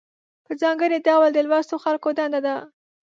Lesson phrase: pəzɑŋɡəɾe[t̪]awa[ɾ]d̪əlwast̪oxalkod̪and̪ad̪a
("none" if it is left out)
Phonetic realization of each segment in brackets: d̪, l

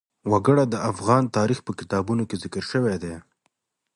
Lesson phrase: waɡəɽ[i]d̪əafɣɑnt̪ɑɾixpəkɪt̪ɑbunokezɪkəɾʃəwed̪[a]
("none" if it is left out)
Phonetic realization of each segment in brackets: a, e

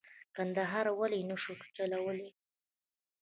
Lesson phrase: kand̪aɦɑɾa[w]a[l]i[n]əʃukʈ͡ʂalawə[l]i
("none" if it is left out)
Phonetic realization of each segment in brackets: w, l, n, l

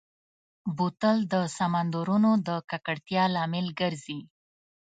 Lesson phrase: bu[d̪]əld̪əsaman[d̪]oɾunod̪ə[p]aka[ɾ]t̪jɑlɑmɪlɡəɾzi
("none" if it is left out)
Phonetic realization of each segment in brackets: t̪, d̪, k, ɽ

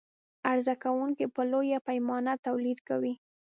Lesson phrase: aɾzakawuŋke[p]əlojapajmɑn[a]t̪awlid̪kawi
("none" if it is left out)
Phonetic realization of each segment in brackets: p, a

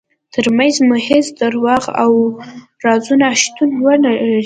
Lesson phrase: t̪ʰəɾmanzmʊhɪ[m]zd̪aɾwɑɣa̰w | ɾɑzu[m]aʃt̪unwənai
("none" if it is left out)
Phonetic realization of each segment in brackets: none, n

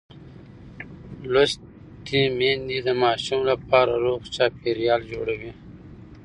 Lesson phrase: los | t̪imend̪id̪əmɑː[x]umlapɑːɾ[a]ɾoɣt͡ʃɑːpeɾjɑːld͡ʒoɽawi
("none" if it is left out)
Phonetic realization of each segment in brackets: ʃ, a

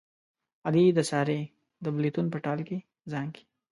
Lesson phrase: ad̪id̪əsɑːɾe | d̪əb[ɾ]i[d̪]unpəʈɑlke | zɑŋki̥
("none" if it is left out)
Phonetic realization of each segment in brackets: l, t̪

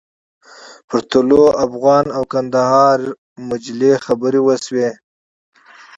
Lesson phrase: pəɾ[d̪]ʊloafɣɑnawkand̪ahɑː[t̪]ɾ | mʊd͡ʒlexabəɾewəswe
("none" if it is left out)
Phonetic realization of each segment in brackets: t̪, none

